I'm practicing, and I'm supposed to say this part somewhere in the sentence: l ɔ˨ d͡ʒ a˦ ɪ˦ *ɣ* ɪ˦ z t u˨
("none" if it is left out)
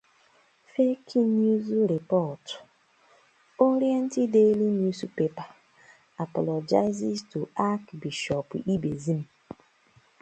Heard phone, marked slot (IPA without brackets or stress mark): z